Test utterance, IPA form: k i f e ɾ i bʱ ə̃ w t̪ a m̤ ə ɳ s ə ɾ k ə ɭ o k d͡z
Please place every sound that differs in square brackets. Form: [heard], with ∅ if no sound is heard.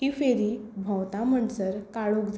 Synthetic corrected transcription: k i f e ɾ i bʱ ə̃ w t̪ a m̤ ə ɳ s ə ɾ k [a] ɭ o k d͡z